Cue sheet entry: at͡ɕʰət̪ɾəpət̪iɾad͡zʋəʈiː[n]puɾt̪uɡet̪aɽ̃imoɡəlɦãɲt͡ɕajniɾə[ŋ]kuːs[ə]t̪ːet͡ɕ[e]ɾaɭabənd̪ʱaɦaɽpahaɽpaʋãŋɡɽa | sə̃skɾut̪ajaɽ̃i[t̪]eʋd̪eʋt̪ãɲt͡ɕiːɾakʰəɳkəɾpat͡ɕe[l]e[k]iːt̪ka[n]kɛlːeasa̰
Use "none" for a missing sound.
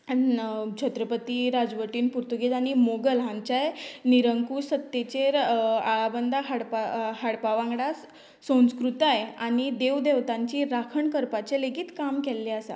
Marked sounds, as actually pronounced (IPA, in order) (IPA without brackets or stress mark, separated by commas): n, ŋ, ə, e, d̪, l, ɡ, m